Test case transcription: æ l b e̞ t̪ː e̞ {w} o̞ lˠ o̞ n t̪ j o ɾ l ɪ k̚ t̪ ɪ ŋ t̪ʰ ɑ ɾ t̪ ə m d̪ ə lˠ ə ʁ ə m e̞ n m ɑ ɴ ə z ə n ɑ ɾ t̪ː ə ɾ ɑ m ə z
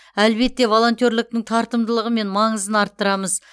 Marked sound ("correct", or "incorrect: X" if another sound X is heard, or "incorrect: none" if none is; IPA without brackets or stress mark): incorrect: v